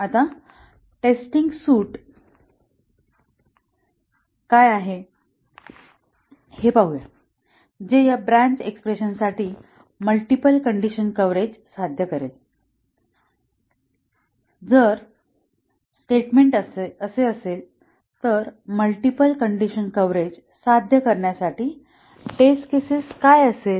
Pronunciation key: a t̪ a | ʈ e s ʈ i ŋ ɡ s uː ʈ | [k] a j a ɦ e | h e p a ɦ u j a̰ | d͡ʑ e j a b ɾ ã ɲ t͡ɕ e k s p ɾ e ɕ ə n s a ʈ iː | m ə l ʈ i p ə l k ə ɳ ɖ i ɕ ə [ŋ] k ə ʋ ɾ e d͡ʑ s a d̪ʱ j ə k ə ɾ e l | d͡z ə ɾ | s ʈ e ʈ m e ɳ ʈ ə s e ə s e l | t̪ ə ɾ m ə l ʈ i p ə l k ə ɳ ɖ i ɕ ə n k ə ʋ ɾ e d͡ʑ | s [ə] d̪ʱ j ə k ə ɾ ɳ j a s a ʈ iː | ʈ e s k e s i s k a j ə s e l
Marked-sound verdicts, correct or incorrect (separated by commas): correct, incorrect, incorrect